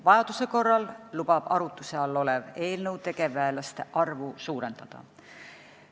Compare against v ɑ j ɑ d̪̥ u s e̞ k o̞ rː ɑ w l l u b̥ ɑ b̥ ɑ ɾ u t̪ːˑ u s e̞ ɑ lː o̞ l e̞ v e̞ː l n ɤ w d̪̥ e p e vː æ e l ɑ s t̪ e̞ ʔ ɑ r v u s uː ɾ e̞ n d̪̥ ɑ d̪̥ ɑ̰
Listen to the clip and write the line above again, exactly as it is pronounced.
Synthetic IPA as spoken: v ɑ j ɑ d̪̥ u s e̞ k o̞ rː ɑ l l u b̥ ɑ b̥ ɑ ɾ u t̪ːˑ u s e̞ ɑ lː o̞ l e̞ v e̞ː l n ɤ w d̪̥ e k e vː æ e l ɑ s t̪ e̞ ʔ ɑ r v u s uː ɾ e̞ n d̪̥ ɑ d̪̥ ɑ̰